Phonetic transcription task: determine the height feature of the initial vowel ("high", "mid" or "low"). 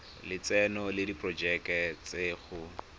high